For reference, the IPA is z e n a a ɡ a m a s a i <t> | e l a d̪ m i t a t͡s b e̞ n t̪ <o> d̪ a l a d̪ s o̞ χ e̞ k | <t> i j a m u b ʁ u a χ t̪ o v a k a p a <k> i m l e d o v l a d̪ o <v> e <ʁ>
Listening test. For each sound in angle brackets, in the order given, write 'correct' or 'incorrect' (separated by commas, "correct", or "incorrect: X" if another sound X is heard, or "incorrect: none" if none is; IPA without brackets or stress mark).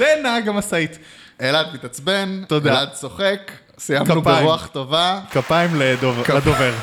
correct, correct, incorrect: s, incorrect: none, correct, correct